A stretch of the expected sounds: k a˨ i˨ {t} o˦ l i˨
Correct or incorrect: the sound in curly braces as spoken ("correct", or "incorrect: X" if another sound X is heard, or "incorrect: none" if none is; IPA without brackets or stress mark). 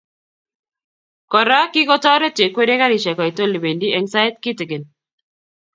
correct